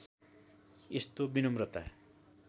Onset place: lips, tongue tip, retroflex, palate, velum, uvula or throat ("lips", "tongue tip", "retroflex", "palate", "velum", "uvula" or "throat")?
tongue tip